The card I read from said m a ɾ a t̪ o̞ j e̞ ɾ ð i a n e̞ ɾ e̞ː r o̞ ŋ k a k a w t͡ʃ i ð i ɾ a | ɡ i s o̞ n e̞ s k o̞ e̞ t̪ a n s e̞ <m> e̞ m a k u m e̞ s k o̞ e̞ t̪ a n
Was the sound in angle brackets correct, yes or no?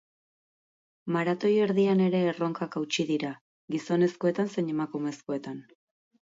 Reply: no